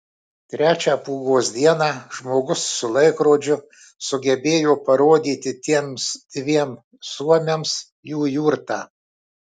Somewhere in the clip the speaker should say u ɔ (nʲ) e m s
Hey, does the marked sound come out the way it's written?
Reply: no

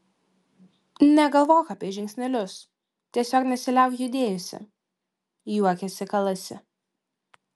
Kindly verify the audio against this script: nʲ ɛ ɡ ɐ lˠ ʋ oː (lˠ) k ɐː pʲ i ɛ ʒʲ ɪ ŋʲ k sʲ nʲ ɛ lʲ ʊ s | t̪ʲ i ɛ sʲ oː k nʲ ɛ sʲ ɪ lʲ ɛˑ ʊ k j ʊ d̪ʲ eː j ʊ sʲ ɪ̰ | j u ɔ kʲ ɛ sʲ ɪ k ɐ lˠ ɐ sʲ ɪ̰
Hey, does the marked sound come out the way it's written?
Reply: no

